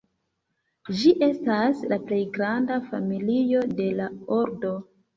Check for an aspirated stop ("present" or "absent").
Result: absent